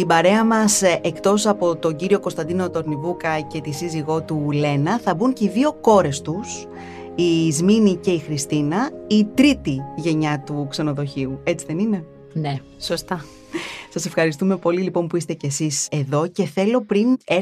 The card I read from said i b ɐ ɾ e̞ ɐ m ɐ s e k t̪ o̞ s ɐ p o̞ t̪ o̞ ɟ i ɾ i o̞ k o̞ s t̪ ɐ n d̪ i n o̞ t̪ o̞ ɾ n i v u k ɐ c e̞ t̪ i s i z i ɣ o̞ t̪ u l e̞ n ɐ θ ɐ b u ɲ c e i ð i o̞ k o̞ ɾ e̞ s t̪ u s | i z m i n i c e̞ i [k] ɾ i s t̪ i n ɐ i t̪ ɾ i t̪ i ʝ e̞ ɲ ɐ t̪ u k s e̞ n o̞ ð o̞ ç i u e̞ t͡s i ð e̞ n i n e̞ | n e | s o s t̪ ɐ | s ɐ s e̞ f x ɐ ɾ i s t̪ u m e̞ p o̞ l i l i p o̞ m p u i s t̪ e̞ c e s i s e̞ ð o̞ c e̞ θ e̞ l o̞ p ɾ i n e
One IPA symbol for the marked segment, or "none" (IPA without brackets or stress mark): x